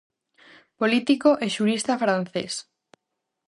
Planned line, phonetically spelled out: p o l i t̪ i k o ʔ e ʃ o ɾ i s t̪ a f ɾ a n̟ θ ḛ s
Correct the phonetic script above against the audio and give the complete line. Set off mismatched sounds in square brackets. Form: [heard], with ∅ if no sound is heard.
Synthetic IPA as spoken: p o l i t̪ i k o ʔ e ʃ [u] ɾ i s t̪ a f ɾ a n̟ θ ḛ s